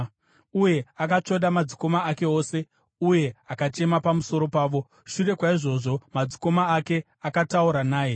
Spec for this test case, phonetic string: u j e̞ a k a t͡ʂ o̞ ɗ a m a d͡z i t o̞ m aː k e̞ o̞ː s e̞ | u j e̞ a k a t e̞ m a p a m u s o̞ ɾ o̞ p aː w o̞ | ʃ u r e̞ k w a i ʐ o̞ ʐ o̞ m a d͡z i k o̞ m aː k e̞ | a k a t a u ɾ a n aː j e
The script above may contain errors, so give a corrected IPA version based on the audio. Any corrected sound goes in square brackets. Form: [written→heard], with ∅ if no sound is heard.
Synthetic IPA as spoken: u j e̞ a k a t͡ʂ o̞ ɗ a m a d͡z i [t→k] o̞ m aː k e̞ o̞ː s e̞ | u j e̞ a k a [t→t͡ʃ] e̞ m a p a m u s o̞ ɾ o̞ p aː [w→ʋ] o̞ | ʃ u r e̞ k w a i ʐ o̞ ʐ o̞ m a d͡z i k o̞ m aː k e̞ | a k a t a u ɾ a n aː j e